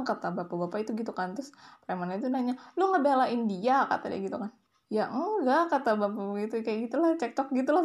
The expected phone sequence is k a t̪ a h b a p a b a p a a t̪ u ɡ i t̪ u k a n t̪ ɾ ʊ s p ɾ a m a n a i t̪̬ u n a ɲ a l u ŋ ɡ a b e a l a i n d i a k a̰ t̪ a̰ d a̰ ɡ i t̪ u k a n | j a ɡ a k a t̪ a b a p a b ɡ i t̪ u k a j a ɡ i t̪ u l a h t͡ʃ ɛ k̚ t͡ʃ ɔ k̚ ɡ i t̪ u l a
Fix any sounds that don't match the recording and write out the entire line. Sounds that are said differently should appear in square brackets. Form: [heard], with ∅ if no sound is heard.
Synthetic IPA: k a t̪ a [∅] b a p a b a p a [i] t̪ u ɡ i t̪ u k a n t̪ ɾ ʊ s p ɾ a m a n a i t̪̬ u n a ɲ a l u ŋ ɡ a b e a l a i n d i a k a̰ t̪ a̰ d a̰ ɡ i t̪ u k a n | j a ɡ a k a t̪ a b a p a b ɡ i t̪ u k a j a ɡ i t̪ u l a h t͡ʃ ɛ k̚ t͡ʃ ɔ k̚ ɡ i t̪ u l a